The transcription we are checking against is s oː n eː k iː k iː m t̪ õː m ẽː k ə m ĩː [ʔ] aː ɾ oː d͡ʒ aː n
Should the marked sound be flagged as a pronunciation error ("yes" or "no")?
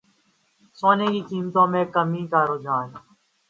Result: yes